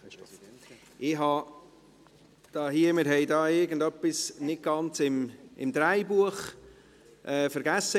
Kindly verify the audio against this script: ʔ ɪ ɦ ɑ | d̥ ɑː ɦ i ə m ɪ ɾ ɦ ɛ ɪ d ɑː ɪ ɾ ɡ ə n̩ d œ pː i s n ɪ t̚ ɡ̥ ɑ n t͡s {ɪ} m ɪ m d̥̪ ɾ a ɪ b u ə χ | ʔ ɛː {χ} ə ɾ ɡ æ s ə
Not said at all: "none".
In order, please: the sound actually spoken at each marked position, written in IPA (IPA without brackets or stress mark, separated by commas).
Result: ɪ, f